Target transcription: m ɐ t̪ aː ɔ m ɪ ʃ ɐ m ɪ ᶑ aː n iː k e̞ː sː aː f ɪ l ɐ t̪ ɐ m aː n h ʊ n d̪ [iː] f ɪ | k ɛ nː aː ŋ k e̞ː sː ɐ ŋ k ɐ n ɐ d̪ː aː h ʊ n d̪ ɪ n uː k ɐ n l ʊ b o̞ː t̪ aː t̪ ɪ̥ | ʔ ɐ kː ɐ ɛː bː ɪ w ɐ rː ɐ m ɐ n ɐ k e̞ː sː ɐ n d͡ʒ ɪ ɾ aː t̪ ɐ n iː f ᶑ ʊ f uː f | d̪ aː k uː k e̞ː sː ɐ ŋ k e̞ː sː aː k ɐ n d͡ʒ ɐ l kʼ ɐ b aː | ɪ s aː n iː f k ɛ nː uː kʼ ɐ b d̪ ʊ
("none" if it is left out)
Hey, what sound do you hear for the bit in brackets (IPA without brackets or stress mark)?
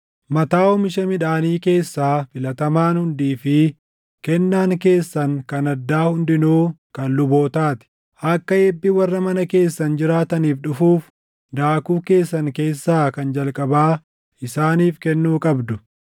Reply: iː